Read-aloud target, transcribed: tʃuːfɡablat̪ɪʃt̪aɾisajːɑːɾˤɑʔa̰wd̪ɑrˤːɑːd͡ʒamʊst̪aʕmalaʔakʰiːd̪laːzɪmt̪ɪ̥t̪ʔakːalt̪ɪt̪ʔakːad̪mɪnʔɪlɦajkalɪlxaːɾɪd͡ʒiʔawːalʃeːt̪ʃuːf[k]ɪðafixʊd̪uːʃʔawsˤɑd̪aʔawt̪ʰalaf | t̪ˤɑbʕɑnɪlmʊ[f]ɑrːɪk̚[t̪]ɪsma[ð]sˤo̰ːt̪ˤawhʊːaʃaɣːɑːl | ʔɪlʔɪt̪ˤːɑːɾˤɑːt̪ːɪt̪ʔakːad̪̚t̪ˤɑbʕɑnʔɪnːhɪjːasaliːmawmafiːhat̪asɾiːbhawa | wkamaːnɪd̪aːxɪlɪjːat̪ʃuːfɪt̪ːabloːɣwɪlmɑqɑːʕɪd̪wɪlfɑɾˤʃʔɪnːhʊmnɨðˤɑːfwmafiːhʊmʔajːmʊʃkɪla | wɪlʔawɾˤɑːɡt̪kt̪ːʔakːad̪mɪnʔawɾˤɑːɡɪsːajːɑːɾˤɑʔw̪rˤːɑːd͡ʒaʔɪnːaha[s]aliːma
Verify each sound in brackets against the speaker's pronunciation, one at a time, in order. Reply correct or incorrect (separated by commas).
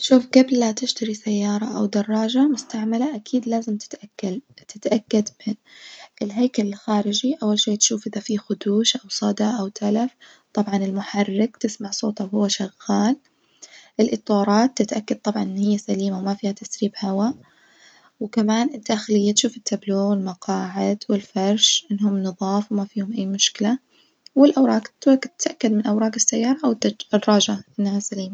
incorrect, incorrect, correct, incorrect, correct